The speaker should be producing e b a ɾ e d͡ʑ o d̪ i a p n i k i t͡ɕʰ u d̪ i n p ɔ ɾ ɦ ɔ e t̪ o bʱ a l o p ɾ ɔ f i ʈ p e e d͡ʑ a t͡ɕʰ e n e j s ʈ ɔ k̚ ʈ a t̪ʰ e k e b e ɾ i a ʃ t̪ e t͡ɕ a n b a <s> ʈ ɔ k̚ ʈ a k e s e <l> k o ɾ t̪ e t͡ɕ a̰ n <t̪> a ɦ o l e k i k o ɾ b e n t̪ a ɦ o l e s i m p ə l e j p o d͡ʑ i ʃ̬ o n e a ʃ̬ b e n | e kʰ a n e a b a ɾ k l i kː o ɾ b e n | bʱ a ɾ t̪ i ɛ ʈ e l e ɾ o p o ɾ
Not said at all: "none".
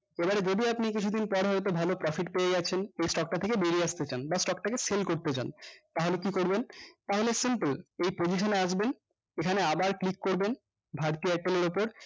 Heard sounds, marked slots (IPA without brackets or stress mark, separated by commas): s, l, t̪